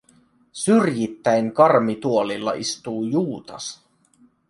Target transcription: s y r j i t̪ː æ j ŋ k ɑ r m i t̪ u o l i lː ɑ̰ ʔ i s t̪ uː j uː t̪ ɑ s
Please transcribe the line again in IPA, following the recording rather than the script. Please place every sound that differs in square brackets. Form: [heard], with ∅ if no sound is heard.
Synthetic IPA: s y r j i t̪ː æ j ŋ k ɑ r m i t̪ u o l i lː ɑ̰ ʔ i s t̪ uː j uː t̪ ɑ s